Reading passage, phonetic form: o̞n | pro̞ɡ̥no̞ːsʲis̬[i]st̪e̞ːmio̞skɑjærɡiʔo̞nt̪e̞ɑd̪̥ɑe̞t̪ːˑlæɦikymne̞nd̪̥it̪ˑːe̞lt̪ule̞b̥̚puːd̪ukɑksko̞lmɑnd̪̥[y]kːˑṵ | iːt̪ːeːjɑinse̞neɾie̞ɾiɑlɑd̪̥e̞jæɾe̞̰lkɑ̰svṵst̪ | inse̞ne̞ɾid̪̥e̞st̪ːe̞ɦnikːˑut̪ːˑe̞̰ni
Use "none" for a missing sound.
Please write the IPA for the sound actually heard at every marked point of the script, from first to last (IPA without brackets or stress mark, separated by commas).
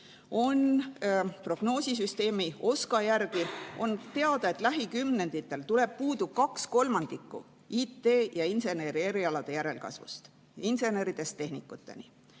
y, i